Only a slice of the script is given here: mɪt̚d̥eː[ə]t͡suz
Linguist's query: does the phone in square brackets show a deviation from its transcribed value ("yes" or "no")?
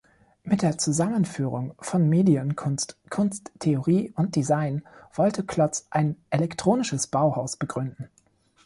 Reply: yes